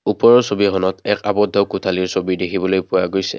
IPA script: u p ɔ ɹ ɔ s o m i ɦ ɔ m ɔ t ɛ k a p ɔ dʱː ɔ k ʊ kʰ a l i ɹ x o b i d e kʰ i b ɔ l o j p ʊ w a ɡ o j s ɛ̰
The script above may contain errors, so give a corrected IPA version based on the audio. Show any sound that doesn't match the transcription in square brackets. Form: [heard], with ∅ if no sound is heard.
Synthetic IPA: u p ɔ ɹ ɔ s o [b] i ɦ ɔ [n] ɔ t ɛ k a [b] ɔ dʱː ɔ k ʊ [tʰ] a l i ɹ [s] o b i d e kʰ i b ɔ l o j p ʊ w a ɡ o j s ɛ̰